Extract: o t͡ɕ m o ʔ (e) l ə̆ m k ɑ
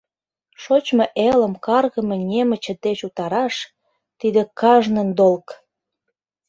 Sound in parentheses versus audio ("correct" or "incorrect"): correct